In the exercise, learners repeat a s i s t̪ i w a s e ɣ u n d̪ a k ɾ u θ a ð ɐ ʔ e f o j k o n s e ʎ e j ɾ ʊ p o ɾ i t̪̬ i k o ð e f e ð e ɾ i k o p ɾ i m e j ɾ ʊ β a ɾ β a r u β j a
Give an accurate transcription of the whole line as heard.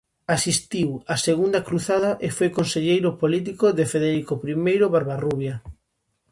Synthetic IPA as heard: a s i s t̪ i w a s e ɣ u n d̪ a k ɾ u θ a ð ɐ ʔ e f o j k o n s e ʎ e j ɾ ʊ p o l i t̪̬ i k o ð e f e ð e ɾ i k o p ɾ i m e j ɾ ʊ β a ɾ β a r u β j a